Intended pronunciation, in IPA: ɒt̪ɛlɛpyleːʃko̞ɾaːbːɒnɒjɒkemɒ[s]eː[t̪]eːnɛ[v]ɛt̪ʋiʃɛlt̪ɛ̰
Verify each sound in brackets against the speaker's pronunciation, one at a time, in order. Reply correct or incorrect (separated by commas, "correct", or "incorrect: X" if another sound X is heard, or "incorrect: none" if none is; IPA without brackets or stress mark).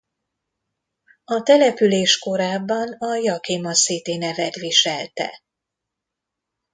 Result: correct, correct, correct